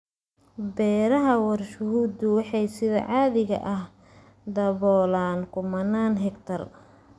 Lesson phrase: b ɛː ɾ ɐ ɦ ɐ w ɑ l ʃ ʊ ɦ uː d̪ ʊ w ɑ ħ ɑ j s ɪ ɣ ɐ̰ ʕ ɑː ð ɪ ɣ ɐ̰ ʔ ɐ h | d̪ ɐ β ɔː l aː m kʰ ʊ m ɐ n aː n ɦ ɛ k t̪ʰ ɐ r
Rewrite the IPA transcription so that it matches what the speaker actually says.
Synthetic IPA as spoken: b ɛː ɾ ɐ ɦ ɐ w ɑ r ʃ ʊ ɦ uː d̪ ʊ w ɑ ħ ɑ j s ɪ ð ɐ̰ ʕ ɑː ð ɪ ɣ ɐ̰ ʔ ɐ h | d̪ ɐ β ɔː l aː n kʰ ʊ m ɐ n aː n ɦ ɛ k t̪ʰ ɐ r